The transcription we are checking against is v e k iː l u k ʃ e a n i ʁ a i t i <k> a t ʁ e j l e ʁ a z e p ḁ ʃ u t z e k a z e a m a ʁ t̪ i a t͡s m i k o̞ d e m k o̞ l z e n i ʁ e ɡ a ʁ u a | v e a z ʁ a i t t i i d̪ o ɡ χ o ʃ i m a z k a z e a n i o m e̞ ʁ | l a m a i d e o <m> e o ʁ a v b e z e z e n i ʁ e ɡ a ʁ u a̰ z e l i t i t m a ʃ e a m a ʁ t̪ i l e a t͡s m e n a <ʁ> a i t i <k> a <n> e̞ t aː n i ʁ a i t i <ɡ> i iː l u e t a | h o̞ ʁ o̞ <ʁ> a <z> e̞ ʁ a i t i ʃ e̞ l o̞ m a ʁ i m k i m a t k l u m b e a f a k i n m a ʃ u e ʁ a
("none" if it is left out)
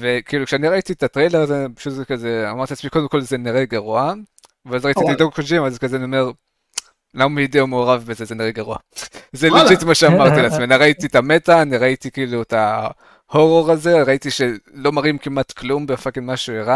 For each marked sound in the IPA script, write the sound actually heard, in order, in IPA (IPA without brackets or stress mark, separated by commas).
t, m, ʁ, t, m, k, ʁ, z